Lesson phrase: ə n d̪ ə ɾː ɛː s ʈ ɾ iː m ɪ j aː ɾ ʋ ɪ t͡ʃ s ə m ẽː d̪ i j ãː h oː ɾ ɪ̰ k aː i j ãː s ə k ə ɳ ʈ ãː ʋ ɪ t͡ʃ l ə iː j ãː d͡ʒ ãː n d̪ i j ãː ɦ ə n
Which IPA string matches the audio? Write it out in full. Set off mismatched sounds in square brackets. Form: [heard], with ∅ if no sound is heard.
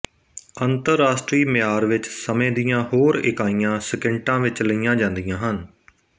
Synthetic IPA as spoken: ə n [t̪] ə ɾː [aː] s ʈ ɾ iː m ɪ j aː ɾ ʋ ɪ t͡ʃ s ə m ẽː d̪ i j ãː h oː ɾ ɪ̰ k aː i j ãː s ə k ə ɳ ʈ ãː ʋ ɪ t͡ʃ l ə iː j ãː d͡ʒ ãː n d̪ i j ãː ɦ ə n

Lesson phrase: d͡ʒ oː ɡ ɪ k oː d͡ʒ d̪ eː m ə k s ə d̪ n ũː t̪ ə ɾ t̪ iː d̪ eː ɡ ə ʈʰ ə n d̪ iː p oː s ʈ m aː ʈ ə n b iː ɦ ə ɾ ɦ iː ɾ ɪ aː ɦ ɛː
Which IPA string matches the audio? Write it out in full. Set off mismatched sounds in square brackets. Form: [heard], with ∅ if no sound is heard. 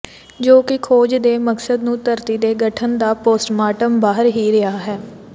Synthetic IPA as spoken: d͡ʒ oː [k] ɪ [kʰ] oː d͡ʒ d̪ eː m ə k s ə d̪ n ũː t̪ ə ɾ t̪ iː d̪ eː ɡ ə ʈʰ ə n d̪ [aː] p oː s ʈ m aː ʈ ə [m] b [aː] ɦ ə ɾ ɦ iː ɾ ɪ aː ɦ ɛː

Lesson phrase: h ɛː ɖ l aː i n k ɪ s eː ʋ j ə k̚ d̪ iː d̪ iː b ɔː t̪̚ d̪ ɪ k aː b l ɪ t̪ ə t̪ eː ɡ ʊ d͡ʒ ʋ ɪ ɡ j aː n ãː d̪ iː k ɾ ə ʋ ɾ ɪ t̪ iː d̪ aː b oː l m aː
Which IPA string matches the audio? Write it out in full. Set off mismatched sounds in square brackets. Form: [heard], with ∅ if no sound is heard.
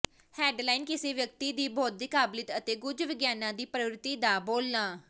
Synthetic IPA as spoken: h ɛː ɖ l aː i n k ɪ s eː ʋ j ə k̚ [t̪] iː d̪ iː b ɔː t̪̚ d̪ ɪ k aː b l ɪ t̪ ə t̪ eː ɡ ʊ d͡ʒ ʋ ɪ ɡ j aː n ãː d̪ iː [p] ɾ ə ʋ ɾ ɪ t̪ iː d̪ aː b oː l [n] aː

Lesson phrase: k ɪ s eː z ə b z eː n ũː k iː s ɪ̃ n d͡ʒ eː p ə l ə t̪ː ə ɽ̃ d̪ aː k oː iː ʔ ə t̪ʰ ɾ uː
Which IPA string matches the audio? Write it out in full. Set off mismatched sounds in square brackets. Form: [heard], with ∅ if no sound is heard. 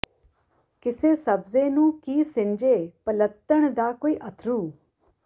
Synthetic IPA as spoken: k ɪ s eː [s] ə b z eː n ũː k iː s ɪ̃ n d͡ʒ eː p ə l ə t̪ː ə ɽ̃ d̪ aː k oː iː ʔ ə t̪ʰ ɾ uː

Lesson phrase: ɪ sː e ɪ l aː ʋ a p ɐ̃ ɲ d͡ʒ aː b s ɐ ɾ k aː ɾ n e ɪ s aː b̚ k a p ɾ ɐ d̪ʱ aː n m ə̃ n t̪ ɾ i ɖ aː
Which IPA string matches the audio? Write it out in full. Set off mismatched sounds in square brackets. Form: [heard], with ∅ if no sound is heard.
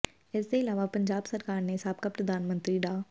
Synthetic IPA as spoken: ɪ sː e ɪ l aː ʋ a p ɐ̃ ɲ d͡ʒ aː b s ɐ ɾ k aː ɾ n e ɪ s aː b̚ k a p ɾ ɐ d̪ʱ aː n m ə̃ n t̪ ɾ i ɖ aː

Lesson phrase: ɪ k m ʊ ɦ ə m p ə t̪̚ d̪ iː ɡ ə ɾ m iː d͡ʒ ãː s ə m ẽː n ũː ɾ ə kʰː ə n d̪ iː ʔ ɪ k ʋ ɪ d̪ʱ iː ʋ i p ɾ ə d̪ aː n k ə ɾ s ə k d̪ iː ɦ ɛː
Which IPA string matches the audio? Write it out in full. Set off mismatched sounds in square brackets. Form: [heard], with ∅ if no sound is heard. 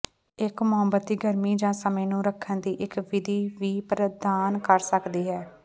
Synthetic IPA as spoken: ɪ k m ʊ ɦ ə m [b] ə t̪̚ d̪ iː ɡ ə ɾ m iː d͡ʒ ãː s ə m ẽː n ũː ɾ ə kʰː ə n d̪ iː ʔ ɪ k ʋ ɪ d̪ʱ iː ʋ [iː] p ɾ ə d̪ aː n k ə ɾ s ə k d̪ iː ɦ ɛː

